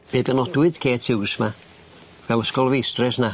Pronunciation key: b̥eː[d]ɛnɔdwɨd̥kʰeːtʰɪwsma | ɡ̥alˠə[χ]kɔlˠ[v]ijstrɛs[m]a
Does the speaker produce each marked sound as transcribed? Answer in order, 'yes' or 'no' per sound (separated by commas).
no, no, yes, no